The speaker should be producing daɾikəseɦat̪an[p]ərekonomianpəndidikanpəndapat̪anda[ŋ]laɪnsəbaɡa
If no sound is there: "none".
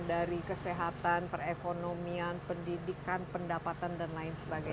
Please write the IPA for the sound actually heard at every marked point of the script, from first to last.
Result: p, n

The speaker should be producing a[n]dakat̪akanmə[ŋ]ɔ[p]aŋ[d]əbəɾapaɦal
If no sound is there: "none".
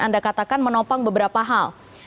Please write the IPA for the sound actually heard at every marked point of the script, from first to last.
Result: n, n, p, b

